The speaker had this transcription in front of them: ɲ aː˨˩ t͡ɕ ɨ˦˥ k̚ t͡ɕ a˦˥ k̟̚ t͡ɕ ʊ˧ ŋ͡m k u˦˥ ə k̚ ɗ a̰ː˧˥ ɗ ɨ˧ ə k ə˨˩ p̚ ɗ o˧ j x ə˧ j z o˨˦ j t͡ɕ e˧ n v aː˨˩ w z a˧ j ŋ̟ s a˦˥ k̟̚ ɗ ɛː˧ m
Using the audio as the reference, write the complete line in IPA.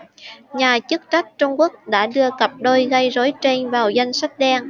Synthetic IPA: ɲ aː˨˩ t͡ɕ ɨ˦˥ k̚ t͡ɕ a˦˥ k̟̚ t͡ɕ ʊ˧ ŋ͡m k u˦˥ ə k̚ ɗ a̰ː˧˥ ɗ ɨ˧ ə k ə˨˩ p̚ ɗ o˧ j ɣ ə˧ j z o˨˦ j t͡ɕ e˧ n v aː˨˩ w z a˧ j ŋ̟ s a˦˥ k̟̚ ɗ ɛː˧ ŋ